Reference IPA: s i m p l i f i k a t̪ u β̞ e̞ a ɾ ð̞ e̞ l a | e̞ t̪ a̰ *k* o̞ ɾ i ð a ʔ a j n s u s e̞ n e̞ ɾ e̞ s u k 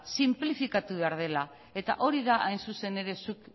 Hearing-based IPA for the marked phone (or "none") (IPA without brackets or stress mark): ʔ